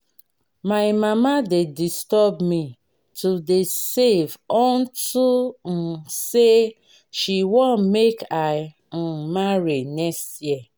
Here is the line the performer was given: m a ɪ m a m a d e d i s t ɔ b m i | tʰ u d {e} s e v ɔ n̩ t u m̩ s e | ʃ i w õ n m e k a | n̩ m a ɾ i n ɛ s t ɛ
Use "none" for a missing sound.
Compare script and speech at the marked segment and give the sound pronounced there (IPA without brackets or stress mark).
e